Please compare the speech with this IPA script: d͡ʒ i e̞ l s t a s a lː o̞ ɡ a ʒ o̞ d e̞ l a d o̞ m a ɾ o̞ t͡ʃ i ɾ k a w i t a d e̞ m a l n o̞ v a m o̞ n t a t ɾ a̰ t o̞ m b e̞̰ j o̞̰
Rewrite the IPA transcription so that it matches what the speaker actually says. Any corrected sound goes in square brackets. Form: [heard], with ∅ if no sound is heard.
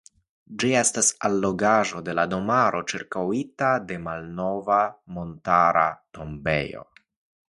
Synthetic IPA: d͡ʒ i e̞ [∅] s t a s a lː o̞ ɡ a ʒ o̞ d e̞ l a d o̞ m a ɾ o̞ t͡ʃ i ɾ k a w i t a d e̞ m a l n o̞ v a m o̞ n t a [∅] ɾ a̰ t o̞ m b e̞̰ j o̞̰